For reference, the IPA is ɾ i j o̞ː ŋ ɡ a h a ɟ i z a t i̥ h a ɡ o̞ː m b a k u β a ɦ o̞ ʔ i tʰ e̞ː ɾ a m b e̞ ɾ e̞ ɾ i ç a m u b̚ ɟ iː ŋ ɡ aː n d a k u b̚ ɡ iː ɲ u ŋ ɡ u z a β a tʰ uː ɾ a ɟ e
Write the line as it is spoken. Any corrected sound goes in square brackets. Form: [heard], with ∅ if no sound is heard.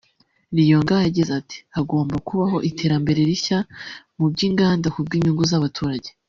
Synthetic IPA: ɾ i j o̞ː ŋ ɡ a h a ɟ i z a t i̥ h a ɡ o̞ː m b a k u β a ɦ o̞ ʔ i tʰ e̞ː ɾ a m b e̞ ɾ e̞ ɾ i ç a m u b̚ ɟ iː ŋ ɡ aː n d a k u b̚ ɡ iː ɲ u ŋ ɡ u z a β a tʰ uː ɾ a ɟ e